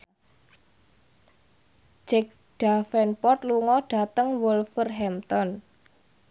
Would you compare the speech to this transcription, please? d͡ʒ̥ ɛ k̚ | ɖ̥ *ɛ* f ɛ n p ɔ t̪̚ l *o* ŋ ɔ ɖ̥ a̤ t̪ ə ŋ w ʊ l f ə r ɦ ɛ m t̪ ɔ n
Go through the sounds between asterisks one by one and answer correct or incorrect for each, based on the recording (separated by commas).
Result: incorrect, incorrect